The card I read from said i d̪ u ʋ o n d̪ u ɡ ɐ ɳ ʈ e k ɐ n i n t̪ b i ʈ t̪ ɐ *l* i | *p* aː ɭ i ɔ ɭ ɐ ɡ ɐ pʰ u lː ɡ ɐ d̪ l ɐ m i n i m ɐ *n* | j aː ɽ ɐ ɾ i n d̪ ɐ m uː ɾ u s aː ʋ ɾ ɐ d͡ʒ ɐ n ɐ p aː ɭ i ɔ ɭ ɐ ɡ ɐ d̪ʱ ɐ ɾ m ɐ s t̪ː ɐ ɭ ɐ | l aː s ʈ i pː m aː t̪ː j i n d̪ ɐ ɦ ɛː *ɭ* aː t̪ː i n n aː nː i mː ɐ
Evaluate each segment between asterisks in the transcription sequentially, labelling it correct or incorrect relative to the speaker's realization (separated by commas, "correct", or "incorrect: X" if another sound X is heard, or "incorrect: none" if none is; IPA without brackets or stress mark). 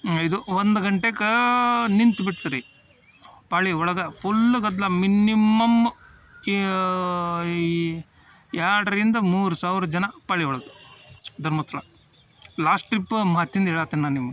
incorrect: ɾ, correct, incorrect: m, correct